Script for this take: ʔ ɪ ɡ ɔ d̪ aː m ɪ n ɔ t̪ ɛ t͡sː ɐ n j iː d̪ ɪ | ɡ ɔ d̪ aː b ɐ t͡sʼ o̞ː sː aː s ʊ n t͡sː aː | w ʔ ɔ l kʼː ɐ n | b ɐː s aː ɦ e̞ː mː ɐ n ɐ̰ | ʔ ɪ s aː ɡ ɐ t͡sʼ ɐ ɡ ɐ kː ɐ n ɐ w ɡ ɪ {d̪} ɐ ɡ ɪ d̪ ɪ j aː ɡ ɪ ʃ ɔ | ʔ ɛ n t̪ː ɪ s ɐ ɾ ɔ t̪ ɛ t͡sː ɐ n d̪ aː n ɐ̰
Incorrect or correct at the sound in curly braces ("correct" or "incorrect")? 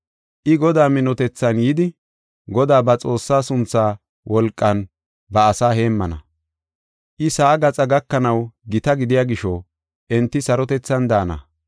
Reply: incorrect